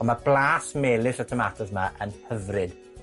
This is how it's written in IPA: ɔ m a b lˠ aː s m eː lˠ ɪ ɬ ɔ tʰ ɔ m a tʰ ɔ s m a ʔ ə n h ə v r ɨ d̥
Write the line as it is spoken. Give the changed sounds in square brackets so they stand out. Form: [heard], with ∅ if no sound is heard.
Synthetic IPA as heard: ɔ m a b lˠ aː s m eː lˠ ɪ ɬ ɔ tʰ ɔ m a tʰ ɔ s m a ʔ ə n h ə v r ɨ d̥